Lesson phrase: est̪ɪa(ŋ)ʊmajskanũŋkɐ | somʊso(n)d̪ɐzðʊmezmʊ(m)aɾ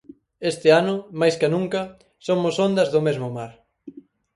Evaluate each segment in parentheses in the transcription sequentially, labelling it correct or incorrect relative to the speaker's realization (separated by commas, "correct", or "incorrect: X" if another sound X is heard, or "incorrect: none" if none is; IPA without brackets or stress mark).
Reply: incorrect: n, correct, correct